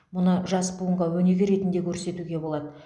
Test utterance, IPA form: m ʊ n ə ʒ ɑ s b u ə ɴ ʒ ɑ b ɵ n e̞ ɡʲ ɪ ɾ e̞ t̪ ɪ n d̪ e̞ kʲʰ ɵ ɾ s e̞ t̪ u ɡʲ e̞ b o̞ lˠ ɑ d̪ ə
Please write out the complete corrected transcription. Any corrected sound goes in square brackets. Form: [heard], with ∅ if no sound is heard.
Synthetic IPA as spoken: m ʊ n ə ʒ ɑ s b u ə ɴ [ʁ] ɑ [w] ɵ n e̞ ɡʲ ɪ ɾ e̞ t̪ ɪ n d̪ e̞ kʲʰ ɵ ɾ s e̞ t̪ u ɡʲ e̞ b o̞ lˠ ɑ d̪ ə